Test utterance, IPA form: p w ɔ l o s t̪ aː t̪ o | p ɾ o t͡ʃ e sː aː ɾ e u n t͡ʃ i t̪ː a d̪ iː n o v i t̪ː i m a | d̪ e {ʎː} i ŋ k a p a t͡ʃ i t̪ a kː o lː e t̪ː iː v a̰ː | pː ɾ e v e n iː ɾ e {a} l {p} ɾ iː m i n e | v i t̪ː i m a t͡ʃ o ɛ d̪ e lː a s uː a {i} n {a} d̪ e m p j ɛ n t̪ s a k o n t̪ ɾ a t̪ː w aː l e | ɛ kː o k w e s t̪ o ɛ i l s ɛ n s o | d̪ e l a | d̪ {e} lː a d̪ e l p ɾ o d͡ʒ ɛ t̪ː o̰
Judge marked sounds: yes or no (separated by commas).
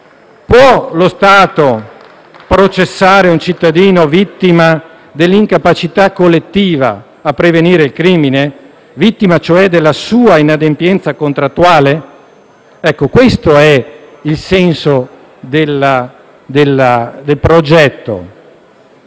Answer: no, no, no, yes, yes, yes